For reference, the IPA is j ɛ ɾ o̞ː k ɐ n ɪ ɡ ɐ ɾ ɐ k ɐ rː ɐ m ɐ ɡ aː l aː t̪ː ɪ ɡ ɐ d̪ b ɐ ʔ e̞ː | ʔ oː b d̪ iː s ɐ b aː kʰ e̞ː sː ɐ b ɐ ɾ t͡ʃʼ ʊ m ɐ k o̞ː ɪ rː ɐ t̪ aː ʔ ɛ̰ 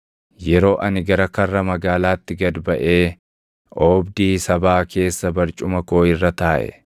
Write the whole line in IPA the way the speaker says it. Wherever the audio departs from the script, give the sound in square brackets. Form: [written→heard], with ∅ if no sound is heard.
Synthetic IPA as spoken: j ɛ ɾ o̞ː [k→ʔ] ɐ n ɪ ɡ ɐ ɾ ɐ k ɐ rː ɐ m ɐ ɡ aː l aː t̪ː ɪ ɡ ɐ d̪ b ɐ ʔ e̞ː | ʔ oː b d̪ iː s ɐ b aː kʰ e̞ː sː ɐ b ɐ ɾ t͡ʃʼ ʊ m ɐ k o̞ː ɪ rː ɐ t̪ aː ʔ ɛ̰